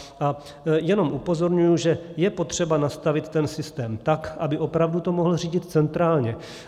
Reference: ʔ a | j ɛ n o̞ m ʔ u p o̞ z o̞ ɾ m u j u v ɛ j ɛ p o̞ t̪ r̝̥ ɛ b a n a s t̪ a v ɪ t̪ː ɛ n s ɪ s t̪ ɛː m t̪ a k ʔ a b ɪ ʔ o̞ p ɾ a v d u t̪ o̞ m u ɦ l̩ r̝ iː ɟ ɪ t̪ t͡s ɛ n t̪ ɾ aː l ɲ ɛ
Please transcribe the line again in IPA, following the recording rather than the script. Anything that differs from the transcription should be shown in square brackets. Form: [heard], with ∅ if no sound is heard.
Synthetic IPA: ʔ a | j ɛ n o̞ m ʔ u p o̞ z o̞ ɾ [ɲ] u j u [ʒ] ɛ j ɛ p o̞ t̪ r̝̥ ɛ b a n a s t̪ a v ɪ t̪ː ɛ n s ɪ s t̪ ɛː m t̪ a k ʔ a b ɪ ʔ o̞ p ɾ a v d u t̪ o̞ m [o] ɦ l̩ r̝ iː ɟ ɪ t̪ t͡s ɛ n t̪ ɾ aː l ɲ ɛ